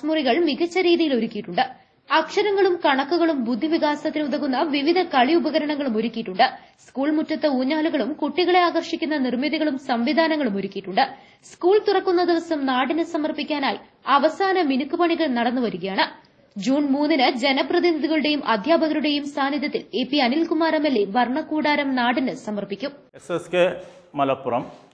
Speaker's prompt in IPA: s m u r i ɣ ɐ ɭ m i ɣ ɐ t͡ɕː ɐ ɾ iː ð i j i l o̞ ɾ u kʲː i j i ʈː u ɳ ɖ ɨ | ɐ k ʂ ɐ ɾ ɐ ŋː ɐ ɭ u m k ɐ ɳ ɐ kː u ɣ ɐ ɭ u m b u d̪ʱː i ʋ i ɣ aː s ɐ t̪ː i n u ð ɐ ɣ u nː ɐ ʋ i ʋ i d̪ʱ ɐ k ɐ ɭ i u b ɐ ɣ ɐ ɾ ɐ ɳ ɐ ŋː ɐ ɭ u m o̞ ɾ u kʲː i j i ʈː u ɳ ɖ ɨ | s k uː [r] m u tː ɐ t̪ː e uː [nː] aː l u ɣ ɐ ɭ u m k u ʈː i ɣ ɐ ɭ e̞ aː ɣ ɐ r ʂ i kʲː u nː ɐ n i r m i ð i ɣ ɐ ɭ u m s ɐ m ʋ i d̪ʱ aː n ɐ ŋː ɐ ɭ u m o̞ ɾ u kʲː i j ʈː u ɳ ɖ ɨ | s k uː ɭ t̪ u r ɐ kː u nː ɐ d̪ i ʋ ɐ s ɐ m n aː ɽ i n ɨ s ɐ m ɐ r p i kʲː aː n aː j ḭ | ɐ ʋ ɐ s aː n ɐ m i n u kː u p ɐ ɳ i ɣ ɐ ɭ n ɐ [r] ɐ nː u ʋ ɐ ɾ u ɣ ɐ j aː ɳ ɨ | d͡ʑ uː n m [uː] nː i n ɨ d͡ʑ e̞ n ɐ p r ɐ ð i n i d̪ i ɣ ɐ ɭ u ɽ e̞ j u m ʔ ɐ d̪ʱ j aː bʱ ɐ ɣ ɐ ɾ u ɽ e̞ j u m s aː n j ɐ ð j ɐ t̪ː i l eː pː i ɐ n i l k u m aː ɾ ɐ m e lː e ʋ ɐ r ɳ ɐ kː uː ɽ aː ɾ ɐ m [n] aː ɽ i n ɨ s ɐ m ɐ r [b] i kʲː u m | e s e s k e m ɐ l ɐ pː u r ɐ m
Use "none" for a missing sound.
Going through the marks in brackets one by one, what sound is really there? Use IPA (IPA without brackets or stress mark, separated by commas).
ɭ, ɲː, ɽ, uː, n, p